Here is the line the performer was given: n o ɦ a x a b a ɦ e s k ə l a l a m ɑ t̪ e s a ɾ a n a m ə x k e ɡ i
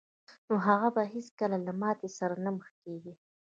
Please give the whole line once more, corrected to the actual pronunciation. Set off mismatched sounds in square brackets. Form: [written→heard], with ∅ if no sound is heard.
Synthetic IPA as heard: n o ɦ a [x→ɣ] a b a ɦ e s k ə l a l a m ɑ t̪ e s a ɾ a n a m ə x k e ɡ i